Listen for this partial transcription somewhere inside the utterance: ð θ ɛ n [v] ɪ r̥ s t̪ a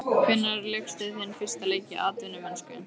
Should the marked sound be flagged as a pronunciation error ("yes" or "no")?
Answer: yes